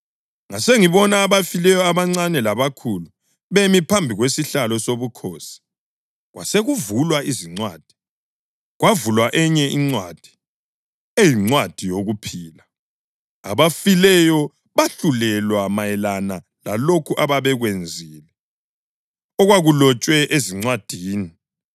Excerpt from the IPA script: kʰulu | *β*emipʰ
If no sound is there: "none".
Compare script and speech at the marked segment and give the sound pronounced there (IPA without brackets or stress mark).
β